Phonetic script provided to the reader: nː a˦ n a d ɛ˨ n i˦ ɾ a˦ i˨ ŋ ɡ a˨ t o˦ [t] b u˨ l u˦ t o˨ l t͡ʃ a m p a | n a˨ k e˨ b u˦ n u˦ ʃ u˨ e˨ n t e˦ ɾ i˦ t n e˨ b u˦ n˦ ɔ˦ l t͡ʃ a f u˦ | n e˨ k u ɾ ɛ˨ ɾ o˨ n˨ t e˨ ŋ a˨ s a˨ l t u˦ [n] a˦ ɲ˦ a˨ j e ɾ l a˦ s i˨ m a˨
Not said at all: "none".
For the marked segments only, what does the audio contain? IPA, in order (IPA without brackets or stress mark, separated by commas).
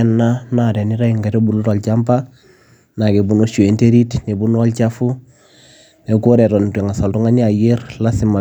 none, ŋ